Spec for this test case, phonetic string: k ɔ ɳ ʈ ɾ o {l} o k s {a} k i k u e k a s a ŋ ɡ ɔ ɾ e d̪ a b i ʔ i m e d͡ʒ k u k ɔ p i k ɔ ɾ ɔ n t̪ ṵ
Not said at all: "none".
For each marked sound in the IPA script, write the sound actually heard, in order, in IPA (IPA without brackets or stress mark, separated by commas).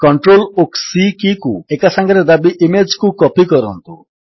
l, i